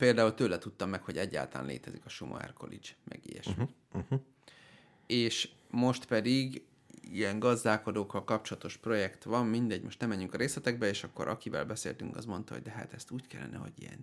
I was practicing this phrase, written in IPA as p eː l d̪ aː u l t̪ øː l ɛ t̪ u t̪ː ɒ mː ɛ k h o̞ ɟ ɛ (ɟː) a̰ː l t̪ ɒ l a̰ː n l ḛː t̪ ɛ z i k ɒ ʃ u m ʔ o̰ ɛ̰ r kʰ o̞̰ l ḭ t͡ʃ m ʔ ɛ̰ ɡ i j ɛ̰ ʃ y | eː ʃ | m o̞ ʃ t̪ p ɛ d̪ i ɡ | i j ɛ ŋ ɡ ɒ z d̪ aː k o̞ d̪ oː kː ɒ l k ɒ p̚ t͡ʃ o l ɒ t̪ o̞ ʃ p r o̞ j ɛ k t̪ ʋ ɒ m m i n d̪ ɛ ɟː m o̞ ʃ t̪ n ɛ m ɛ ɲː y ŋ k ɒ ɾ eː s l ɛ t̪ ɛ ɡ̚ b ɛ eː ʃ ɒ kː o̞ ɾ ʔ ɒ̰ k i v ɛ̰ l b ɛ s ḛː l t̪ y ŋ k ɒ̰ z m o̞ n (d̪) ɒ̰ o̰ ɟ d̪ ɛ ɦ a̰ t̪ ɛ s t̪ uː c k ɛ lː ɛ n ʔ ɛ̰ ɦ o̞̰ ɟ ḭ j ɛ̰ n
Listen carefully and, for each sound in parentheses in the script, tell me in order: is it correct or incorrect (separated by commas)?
correct, incorrect